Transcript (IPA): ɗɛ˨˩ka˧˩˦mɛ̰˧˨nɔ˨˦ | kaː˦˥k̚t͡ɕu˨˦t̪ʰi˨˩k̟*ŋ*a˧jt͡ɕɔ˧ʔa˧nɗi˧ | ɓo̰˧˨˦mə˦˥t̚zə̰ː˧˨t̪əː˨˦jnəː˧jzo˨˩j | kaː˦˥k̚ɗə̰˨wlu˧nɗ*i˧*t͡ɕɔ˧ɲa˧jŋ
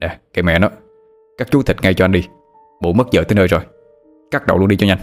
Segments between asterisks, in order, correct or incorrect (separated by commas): correct, correct